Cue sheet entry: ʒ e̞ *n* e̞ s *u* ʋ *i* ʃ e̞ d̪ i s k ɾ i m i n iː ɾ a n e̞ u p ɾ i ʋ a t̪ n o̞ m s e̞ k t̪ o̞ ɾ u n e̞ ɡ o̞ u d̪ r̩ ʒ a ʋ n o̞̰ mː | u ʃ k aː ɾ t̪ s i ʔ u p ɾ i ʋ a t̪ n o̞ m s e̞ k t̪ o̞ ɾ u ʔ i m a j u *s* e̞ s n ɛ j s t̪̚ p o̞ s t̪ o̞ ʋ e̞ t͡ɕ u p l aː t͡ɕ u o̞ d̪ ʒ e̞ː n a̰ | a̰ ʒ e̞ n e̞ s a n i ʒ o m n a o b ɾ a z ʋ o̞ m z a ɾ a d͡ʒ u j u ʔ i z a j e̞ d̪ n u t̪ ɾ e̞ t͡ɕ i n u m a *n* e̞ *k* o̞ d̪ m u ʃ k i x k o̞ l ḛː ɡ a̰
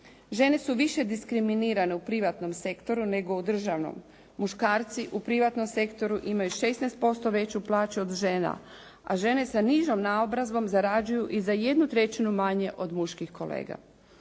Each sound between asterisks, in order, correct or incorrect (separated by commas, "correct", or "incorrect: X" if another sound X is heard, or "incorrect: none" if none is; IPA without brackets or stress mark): correct, correct, correct, incorrect: ʃ, incorrect: ɲ, incorrect: ʔ